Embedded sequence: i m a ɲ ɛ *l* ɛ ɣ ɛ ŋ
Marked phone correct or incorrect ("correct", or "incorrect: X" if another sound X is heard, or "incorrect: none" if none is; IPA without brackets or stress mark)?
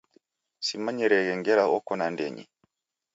incorrect: ɾ